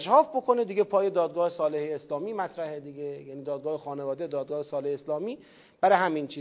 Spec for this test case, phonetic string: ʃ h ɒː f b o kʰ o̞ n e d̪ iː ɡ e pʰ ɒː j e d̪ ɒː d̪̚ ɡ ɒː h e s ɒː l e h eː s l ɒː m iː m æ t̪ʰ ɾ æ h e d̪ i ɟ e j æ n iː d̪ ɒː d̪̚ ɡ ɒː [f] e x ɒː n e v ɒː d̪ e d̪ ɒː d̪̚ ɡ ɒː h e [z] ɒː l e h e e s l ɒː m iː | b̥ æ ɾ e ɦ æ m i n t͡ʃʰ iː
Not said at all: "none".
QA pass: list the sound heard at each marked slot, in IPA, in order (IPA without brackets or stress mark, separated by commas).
h, s